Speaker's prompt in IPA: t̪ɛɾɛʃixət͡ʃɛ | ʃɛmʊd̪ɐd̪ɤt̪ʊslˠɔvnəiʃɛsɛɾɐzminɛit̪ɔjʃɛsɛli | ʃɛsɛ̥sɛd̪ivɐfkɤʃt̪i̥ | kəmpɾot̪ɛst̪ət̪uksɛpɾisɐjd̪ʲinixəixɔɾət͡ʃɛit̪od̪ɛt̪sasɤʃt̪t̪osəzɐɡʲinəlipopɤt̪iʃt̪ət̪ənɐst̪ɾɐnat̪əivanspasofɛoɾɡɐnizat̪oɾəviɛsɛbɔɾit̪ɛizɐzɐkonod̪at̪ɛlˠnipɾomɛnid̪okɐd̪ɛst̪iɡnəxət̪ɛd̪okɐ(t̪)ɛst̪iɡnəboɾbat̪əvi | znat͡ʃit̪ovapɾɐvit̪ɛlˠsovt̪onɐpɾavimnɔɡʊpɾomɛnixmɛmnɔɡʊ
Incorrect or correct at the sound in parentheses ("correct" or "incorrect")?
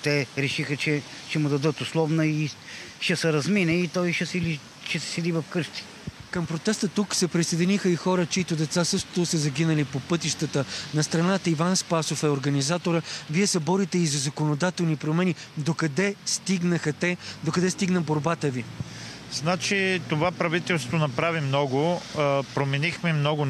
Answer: incorrect